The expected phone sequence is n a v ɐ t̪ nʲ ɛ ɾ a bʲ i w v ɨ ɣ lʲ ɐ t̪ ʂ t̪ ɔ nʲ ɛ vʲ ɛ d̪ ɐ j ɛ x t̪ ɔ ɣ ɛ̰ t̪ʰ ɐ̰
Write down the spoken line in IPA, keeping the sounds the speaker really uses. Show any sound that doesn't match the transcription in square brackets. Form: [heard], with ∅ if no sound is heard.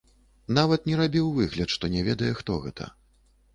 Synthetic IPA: n a v ɐ t̪ nʲ ɛ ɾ a bʲ i w v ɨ ɣ lʲ ɐ t̪ ʂ t̪ ɔ nʲ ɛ vʲ ɛ d̪ ɐ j ɛ x t̪ ɔ ɣ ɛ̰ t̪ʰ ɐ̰